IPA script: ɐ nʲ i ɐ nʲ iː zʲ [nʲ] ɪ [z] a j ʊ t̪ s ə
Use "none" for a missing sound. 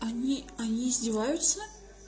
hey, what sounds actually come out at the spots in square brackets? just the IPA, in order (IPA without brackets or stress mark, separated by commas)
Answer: dʲ, v